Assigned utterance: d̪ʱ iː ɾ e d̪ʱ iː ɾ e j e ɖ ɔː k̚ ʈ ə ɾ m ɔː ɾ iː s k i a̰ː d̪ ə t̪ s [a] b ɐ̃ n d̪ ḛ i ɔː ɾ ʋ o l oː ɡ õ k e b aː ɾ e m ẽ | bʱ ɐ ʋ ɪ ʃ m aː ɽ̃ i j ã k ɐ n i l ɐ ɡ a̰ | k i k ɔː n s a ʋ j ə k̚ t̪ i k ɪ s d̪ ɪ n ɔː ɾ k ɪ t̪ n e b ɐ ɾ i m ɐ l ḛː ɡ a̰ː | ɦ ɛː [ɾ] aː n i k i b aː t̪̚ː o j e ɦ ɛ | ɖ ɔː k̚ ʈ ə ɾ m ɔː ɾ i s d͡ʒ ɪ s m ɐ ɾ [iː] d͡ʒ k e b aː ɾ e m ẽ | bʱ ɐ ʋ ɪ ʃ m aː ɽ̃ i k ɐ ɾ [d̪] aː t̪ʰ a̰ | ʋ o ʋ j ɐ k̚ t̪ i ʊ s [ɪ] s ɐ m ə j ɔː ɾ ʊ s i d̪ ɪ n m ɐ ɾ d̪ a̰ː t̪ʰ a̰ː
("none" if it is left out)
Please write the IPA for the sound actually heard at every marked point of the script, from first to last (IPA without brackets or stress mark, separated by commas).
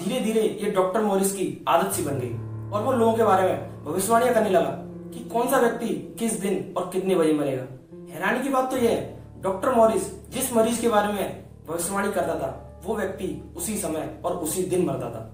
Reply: i, ɾ, iː, d̪, i